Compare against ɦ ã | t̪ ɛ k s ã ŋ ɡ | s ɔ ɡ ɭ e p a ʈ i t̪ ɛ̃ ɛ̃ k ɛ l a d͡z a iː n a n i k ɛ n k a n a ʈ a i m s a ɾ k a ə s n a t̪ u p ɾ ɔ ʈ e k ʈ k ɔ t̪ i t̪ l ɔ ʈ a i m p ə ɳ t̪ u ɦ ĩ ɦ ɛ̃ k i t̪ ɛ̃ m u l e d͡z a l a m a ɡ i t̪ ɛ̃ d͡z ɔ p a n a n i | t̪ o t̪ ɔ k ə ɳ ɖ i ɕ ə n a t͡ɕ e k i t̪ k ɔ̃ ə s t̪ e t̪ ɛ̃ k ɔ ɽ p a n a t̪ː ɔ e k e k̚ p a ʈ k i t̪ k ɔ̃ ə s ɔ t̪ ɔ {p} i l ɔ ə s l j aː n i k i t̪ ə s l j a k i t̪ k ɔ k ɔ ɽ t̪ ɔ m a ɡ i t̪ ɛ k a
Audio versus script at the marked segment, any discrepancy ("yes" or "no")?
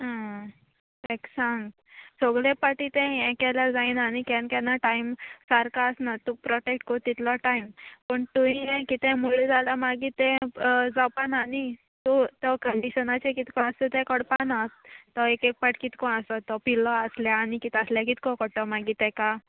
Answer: no